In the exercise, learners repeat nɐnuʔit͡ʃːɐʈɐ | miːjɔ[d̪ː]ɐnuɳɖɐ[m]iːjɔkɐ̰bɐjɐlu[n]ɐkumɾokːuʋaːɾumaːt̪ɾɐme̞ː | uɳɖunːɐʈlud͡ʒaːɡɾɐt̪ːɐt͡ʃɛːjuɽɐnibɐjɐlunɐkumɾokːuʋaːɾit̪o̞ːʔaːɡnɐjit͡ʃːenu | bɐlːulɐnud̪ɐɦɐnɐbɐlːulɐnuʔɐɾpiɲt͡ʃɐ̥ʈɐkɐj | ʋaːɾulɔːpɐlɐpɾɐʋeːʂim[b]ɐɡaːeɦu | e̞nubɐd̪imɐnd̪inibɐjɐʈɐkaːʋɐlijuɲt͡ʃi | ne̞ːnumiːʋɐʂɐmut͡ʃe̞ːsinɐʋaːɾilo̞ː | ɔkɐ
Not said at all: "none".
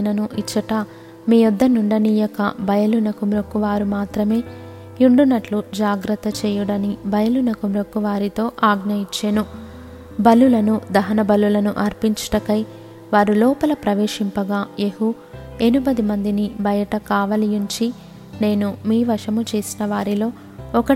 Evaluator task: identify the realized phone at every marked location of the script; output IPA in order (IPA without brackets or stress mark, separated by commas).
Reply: d̪ː, n, n, p